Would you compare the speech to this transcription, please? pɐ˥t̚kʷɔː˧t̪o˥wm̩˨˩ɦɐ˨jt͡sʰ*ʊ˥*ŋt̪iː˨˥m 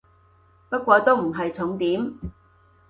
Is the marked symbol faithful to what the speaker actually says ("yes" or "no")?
no